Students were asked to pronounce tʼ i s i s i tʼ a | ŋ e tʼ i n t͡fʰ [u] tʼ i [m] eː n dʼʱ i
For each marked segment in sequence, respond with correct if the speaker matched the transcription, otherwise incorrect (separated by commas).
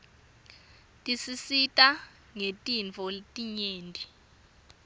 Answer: incorrect, incorrect